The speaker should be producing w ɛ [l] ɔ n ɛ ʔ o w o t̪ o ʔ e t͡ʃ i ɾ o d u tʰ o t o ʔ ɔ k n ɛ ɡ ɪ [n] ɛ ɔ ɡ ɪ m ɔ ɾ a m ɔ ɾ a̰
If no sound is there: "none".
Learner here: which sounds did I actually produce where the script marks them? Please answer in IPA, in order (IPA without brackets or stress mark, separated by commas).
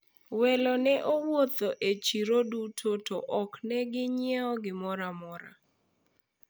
l, ɲ